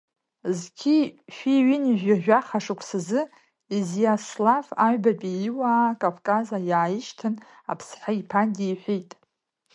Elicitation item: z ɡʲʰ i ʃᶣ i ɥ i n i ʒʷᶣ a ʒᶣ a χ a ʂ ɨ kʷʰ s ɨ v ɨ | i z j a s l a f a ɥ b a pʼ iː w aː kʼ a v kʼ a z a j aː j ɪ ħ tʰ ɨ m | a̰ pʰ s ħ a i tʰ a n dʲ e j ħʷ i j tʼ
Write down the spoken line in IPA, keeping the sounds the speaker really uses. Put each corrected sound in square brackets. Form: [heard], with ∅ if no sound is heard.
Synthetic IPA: z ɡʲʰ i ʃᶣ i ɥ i n i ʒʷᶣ a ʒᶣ a χ a ʂ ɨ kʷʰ s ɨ [z] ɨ | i z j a s l a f a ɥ b a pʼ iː w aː kʼ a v kʼ a z a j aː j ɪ [ʃ] tʰ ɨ [n] | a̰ pʰ s ħ a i [pʰ] a n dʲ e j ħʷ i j tʼ